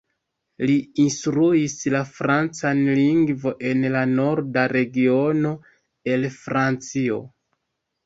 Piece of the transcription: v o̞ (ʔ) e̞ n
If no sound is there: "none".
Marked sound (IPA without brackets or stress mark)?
ʔ